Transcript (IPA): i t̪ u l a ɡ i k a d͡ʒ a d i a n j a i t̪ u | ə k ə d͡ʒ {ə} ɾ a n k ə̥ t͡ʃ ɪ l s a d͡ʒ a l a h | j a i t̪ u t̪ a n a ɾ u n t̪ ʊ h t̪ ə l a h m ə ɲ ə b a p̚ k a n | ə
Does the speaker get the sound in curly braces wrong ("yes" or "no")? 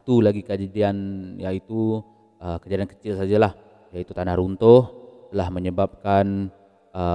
yes